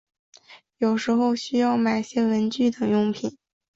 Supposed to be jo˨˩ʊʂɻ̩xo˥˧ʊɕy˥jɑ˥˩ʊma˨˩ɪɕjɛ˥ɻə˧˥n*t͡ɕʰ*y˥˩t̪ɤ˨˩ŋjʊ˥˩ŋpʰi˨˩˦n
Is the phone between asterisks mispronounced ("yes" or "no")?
yes